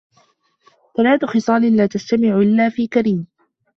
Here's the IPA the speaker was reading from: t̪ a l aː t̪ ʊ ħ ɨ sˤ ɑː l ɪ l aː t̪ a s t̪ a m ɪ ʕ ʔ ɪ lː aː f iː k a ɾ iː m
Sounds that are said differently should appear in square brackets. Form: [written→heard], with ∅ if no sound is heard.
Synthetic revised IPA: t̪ a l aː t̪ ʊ [ħ→x] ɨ sˤ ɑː l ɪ l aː t̪ a s t̪ a m ɪ ʕ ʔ ɪ lː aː f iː k a ɾ iː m